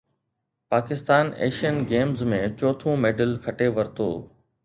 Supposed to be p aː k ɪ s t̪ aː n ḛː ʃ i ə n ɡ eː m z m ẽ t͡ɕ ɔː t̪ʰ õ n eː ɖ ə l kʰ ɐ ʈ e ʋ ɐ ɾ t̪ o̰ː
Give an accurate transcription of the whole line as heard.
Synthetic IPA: p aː k ɪ s t̪ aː n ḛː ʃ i ə n ɡ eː m z m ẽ t͡ɕ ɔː t̪ʰ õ m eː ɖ ə l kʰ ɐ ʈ e ʋ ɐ ɾ t̪ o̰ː